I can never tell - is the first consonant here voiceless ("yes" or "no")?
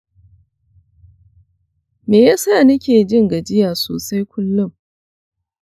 no